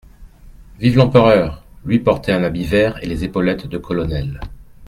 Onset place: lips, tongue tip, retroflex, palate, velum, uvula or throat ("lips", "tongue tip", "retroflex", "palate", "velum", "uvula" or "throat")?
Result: lips